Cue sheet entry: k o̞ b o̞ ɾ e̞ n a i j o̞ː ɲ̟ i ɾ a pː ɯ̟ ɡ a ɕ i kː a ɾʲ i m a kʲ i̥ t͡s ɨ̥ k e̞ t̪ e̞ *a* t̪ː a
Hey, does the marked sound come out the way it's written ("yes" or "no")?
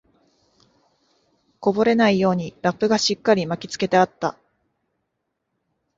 yes